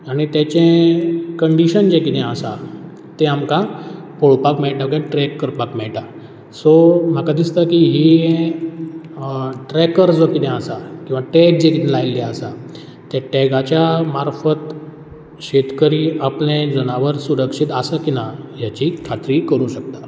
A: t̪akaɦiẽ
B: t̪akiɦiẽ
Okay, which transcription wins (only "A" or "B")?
B